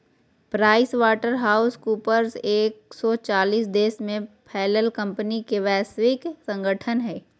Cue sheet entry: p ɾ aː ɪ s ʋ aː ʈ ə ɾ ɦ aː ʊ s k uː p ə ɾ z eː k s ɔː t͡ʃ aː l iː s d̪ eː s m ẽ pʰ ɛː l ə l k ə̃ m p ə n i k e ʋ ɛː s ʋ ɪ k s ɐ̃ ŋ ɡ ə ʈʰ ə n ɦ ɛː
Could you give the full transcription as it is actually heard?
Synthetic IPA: p ɾ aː ɪ s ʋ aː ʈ ə ɾ ɦ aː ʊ s k uː p ə ɾ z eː k s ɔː t͡ʃ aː l iː s d̪ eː s m ẽ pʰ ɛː l ə l k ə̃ m p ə n i k e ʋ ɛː s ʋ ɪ k s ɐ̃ ŋ ɡ ə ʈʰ ə n ɦ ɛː